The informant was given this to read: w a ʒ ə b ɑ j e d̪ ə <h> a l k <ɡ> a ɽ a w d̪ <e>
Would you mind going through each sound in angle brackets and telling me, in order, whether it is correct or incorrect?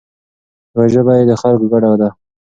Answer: incorrect, correct, incorrect

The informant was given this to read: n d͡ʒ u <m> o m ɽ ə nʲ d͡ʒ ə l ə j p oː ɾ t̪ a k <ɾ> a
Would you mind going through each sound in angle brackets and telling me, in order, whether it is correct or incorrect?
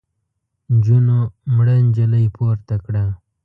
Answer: incorrect, incorrect

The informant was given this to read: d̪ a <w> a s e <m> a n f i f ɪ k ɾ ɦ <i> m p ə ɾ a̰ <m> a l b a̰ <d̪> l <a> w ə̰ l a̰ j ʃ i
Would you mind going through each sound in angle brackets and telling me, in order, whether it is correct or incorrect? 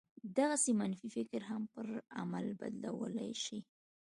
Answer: incorrect, correct, incorrect, correct, correct, correct

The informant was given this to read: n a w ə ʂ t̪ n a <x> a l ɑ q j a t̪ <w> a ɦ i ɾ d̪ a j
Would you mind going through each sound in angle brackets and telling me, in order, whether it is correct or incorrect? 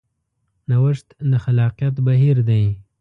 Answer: correct, incorrect

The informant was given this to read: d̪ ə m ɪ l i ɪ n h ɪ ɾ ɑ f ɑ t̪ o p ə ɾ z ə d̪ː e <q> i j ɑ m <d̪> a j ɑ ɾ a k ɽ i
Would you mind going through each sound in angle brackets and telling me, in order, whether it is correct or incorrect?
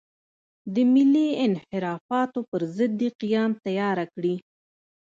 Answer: correct, incorrect

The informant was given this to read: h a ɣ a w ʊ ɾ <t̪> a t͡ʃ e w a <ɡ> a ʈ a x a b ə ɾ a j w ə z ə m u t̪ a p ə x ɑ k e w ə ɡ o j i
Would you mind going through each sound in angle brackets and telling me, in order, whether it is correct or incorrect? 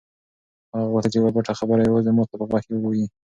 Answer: correct, incorrect

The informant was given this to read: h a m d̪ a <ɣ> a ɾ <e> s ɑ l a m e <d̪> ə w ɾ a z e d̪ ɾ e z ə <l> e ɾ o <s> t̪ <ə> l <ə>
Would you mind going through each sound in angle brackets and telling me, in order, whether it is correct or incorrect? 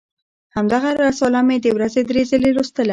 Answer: correct, incorrect, correct, correct, correct, correct, incorrect

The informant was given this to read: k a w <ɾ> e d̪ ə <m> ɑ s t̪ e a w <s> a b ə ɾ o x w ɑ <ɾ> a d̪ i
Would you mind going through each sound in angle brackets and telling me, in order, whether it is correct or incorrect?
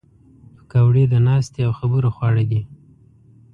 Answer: incorrect, incorrect, incorrect, incorrect

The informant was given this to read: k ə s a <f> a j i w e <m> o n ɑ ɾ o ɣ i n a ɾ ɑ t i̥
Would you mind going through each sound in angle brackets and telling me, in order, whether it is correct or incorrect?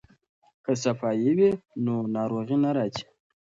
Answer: correct, incorrect

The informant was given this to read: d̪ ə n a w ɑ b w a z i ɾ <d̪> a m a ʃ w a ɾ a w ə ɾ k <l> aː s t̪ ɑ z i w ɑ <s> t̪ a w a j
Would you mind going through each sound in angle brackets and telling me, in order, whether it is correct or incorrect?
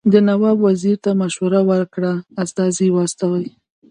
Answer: incorrect, incorrect, correct

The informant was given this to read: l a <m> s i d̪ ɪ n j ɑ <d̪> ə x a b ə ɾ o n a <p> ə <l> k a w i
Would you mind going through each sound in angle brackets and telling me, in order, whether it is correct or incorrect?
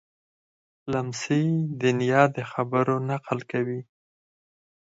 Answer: correct, correct, incorrect, correct

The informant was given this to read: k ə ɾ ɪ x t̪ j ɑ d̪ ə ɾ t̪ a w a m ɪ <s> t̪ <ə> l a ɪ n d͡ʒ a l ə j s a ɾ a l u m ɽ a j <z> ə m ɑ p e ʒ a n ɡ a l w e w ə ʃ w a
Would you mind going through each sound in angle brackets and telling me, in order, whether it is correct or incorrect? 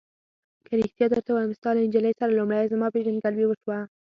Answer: correct, incorrect, correct

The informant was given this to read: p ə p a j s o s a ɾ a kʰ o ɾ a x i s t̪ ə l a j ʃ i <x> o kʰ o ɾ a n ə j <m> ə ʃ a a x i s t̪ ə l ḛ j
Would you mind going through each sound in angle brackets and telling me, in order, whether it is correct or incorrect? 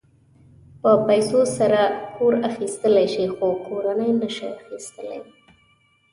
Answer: correct, incorrect

